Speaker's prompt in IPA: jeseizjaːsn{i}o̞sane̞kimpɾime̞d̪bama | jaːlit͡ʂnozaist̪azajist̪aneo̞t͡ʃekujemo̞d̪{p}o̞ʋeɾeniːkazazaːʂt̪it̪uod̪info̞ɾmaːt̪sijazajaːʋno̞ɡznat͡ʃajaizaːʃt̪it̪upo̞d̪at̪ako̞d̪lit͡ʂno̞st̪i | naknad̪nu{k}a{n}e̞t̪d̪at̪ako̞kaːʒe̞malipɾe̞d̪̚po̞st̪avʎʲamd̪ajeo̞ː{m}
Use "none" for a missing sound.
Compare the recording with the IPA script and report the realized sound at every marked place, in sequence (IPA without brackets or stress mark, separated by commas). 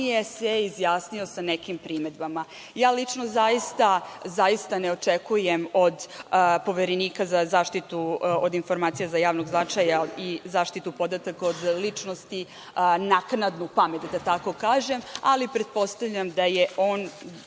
i, p, p, m, n